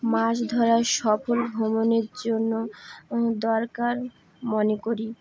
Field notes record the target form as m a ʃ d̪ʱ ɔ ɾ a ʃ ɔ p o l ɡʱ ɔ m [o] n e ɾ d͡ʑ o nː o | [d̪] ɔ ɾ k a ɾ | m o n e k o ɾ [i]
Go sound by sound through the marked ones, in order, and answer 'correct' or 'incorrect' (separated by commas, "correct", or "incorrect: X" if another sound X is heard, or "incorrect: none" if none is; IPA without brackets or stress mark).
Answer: correct, correct, correct